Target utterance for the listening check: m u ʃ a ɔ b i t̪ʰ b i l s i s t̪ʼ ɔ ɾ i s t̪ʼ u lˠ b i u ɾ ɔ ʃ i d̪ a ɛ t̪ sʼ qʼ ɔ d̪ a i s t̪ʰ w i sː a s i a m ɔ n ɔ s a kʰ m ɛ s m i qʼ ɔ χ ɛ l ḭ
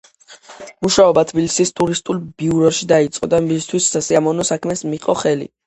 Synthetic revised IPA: m u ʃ a ɔ b a t̪ʰ b i l s i s t̪ʼ u ɾ i s t̪ʼ u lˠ b i u ɾ ɔ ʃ i d̪ a i t̪ sʼ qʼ ɔ d̪ a i s t̪ʰ w i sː a s i a m ɔ n ɔ s a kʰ m ɛ s m i qʼ ɔ χ ɛ l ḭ